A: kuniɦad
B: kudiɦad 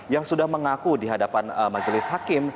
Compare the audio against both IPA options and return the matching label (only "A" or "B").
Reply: B